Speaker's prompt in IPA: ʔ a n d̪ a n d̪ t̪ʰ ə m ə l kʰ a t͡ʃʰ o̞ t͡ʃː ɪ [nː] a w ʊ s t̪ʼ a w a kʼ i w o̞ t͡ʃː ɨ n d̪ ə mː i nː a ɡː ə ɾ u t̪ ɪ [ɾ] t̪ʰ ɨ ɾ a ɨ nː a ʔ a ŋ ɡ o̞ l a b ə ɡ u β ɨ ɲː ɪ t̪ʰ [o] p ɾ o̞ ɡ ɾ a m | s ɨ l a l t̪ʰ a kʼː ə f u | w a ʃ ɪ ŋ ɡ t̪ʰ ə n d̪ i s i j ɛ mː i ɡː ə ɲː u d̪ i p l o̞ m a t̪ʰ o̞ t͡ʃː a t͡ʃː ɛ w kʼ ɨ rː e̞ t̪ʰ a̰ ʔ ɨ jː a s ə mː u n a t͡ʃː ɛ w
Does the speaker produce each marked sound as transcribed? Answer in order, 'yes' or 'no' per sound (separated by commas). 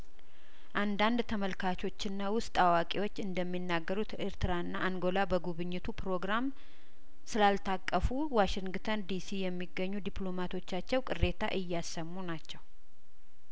yes, yes, no